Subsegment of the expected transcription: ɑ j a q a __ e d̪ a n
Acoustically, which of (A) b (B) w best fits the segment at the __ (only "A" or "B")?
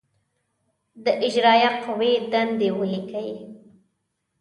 B